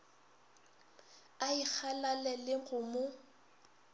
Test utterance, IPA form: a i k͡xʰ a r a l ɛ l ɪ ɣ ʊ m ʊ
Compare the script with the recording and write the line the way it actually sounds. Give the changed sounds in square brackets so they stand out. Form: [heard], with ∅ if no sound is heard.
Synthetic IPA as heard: a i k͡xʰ a [l] a l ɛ l ɪ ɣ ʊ m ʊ